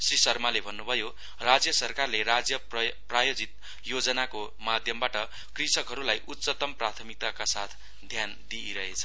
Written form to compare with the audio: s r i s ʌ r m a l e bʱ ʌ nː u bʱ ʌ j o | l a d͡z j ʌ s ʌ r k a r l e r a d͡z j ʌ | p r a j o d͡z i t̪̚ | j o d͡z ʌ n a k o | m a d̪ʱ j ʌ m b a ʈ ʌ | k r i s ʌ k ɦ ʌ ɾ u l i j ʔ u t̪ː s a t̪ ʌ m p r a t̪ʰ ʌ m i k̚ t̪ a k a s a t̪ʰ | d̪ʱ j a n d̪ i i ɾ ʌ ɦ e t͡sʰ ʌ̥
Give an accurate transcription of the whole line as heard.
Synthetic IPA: s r i s ʌ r m a l e bʱ ʌ nː u bʱ ʌ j o | r a d͡z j ʌ s ʌ r k a r l e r a d͡z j ʌ | p r a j o d͡z i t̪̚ | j o d͡z ʌ n a k o | m a d̪ʱ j ʌ m b a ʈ ʌ | k r i s ʌ k ɦ ʌ ɾ u l a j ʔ u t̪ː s ʌ t̪ ʌ m p r a t̪ʰ ʌ m i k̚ t̪ a k a s a t̪ʰ | d̪ʱ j a n d̪ i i ɾ ʌ ɦ e t͡sʰ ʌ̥

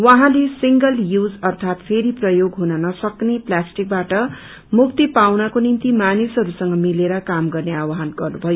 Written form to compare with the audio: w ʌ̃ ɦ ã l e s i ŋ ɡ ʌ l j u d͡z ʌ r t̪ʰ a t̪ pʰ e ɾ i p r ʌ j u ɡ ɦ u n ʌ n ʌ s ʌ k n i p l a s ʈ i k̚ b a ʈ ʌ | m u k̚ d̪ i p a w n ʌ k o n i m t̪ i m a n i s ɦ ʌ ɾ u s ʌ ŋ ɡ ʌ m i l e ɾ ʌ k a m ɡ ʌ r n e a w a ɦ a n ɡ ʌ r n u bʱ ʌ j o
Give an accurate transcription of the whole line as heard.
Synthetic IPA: w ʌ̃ ɦ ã l e s i ŋ ɡ ʌ l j u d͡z ʌ r t̪ʰ a t̪ pʰ e ɾ i p r ʌ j o ɡ ɦ u n ʌ n ʌ s ʌ k n e p l a s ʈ i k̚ b a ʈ ʌ | m u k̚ t̪ i p a w n ʌ k o n i n t̪ i m a n i s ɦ ʌ ɾ u s ʌ ŋ ɡ ʌ m i l e ɾ ʌ k a m ɡ ʌ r n e a w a ɦ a n ɡ ʌ r n u bʱ ʌ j o

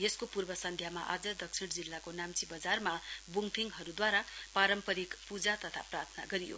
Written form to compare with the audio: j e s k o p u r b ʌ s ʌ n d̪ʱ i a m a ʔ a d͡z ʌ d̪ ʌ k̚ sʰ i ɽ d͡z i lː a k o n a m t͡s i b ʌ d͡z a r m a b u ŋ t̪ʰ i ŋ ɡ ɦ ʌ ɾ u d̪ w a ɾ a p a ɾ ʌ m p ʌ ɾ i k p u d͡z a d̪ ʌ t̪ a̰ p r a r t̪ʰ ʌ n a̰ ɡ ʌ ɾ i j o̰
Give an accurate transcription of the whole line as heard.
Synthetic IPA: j e s k o p u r b ʌ s ʌ n d̪ʱ j a m a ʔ a d͡z ʌ d̪ ʌ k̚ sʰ i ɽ d͡z i lː a k o n a m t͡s i b ʌ d͡z a r m a b u ŋ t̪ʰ i ŋ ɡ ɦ ʌ ɾ u d̪ w a ɾ a p a ɾ ʌ m p ʌ ɾ i k p u d͡z a t̪ ʌ t̪ʰ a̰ p r a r t̪ʰ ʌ n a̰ ɡ ʌ ɾ i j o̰

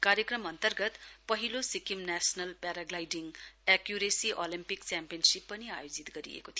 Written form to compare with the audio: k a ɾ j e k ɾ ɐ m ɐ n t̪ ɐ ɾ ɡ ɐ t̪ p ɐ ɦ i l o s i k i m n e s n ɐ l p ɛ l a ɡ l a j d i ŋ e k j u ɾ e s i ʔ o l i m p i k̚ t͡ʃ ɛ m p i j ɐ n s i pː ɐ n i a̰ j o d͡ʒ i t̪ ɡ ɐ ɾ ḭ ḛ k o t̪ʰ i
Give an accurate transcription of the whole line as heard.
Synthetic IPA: k a ɾ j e k ɾ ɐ m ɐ n t̪ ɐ ɾ ɡ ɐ t̪ p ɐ ɦ i l o s i k i m n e s n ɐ l p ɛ ɾ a ɡ l a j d i ŋ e k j u ɾ e s i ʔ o l i m p i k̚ t͡ʃ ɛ m p i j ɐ n s i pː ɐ n i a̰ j o d͡ʒ i t̪ ɡ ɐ ɾ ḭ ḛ k o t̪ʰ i

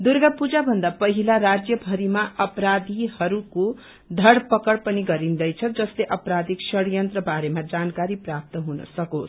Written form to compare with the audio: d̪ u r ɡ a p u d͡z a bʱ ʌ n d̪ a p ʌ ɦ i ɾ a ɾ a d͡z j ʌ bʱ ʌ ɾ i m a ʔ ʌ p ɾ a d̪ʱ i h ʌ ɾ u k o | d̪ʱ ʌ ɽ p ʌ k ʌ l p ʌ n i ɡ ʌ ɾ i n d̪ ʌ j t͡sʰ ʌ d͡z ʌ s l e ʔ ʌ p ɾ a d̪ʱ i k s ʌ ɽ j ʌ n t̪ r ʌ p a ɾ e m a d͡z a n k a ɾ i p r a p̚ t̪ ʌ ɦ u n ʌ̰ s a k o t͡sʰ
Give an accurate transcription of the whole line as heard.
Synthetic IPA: d̪ u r ɡ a p u d͡z a bʱ ʌ n d̪ a p ʌ ɦ i l a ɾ a d͡z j ʌ bʱ ʌ ɾ i m a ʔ ʌ p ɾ a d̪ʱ i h ʌ ɾ u k o | d̪ʱ ʌ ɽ p ʌ k ʌ ɽ p ʌ n i ɡ ʌ ɾ i n d̪ ʌ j t͡sʰ ʌ d͡z ʌ s l e ʔ ʌ p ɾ a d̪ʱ i k s ʌ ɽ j ʌ n t̪ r ʌ b a ɾ e m a d͡z a n k a ɾ i p r a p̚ t̪ ʌ ɦ u n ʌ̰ s ʌ k o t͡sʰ

